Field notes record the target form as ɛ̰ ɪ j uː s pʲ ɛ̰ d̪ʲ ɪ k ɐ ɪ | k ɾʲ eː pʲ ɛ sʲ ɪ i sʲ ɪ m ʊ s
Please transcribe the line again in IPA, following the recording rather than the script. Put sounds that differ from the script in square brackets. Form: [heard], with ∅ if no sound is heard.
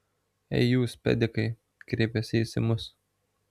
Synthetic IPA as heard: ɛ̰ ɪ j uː s pʲ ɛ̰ d̪ʲ ɪ k ɐ ɪ | k ɾʲ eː pʲ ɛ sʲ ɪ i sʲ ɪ m ʊ s